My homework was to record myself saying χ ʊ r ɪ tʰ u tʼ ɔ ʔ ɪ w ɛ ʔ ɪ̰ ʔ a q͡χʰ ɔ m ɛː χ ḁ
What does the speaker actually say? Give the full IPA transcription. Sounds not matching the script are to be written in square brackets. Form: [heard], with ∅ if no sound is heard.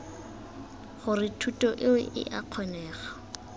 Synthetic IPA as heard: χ ʊ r ɪ tʰ u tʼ ɔ ʔ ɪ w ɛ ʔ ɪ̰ ʔ a q͡χʰ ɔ [n] ɛː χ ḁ